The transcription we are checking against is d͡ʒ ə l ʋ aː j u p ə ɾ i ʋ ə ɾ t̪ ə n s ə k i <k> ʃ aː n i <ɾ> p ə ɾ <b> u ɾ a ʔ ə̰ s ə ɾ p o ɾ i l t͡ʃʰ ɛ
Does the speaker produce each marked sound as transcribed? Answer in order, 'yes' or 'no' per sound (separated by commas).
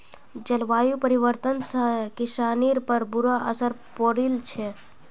no, yes, yes